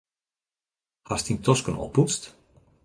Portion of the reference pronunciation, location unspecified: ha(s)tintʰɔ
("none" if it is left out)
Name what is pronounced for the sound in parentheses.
s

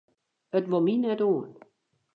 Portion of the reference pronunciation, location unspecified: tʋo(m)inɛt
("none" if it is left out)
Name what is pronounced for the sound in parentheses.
m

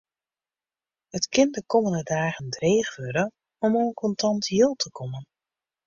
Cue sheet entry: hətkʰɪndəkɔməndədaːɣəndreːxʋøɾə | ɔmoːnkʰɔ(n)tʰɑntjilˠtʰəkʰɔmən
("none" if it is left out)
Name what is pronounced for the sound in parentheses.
n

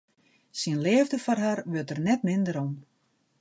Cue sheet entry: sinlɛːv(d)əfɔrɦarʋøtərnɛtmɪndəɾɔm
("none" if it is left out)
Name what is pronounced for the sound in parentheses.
d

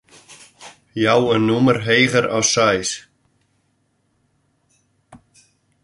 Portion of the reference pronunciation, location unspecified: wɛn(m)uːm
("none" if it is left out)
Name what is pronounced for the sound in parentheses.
n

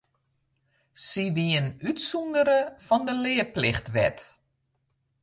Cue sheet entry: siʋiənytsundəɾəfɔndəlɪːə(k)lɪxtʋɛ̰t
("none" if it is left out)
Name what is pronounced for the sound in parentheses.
p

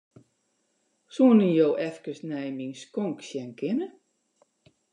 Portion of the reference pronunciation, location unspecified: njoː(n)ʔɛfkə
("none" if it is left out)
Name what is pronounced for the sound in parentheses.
none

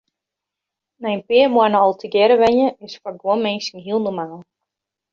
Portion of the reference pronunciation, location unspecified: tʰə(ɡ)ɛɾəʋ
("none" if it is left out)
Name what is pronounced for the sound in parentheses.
ɡ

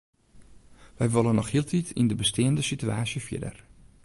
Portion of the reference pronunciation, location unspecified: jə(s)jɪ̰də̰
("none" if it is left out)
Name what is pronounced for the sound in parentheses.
f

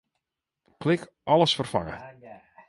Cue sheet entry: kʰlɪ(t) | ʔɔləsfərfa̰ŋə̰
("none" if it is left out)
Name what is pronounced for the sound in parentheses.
k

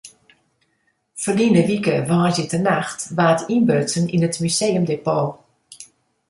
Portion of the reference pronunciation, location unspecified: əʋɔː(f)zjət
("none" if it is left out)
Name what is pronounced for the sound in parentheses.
none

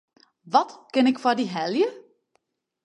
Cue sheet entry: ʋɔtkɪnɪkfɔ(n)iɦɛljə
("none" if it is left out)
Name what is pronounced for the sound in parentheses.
d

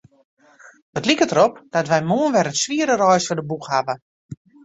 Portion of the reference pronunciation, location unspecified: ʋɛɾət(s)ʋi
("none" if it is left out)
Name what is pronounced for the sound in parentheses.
s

